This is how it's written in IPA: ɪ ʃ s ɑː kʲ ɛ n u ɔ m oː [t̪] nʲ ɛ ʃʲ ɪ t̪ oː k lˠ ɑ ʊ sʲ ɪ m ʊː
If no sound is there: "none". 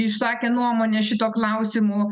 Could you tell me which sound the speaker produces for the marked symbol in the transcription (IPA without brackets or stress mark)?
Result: none